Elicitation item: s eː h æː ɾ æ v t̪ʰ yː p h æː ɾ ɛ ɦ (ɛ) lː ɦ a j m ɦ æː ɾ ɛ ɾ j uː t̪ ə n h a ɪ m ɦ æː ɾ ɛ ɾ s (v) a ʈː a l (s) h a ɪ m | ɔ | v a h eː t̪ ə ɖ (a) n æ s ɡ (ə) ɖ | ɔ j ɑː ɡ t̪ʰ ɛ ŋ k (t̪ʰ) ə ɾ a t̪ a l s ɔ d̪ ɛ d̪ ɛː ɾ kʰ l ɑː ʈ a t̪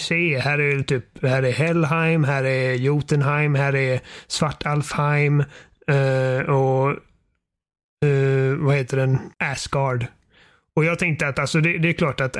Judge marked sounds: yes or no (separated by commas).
yes, yes, no, no, no, no